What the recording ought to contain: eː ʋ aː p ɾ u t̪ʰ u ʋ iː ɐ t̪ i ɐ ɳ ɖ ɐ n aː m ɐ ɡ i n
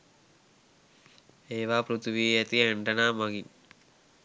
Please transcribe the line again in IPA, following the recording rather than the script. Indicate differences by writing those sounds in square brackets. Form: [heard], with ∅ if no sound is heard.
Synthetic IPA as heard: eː ʋ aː p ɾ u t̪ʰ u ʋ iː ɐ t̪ i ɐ ɳ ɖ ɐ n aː m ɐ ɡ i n